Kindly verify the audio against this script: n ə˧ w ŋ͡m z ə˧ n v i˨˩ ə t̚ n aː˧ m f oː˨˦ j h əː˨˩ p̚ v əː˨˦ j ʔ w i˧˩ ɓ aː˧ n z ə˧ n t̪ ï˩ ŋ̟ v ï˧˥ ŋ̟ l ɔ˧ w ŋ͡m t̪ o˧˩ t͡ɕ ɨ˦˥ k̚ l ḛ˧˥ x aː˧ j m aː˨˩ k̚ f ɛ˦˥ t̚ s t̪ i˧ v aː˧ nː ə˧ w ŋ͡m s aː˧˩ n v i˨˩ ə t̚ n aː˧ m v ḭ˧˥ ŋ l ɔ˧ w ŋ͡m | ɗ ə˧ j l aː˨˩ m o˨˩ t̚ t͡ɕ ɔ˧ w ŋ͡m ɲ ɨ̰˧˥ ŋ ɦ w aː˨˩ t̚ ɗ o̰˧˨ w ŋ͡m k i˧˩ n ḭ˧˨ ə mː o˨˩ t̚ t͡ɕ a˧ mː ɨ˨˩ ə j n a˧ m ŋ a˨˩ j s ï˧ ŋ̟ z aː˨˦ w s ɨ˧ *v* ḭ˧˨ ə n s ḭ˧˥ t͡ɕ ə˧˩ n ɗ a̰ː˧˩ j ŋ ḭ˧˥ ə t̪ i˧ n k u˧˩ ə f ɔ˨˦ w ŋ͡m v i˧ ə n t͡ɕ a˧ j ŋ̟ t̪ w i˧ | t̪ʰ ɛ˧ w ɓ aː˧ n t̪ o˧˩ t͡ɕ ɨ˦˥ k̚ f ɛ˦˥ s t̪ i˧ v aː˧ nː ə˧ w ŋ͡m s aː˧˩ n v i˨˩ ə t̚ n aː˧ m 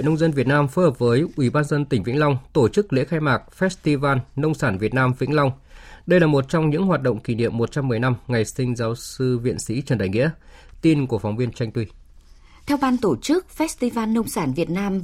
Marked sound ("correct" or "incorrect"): correct